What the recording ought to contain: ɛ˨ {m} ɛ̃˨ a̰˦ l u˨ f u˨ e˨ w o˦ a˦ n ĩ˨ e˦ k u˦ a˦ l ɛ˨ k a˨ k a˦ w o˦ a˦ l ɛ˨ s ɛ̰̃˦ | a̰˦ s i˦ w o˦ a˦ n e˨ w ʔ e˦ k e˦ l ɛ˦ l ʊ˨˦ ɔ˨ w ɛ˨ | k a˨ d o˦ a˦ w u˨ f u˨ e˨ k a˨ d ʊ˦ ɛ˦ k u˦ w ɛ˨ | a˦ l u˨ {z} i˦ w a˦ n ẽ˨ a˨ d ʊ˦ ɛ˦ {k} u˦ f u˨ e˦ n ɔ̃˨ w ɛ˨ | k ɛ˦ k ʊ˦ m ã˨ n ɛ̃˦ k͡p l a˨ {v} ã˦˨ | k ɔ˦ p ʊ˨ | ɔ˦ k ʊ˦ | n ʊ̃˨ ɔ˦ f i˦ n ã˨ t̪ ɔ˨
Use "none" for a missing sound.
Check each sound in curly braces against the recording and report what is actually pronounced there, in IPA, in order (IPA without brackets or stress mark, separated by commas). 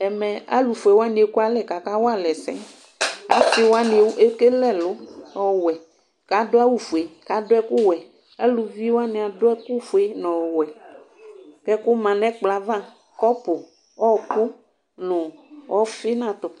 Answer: m, v, k, v